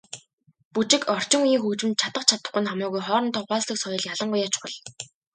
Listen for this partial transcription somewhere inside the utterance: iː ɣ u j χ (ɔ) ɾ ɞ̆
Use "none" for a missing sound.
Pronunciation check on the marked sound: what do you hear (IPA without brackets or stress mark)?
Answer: ɔː